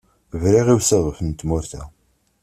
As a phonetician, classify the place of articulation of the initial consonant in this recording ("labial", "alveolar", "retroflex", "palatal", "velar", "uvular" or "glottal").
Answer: labial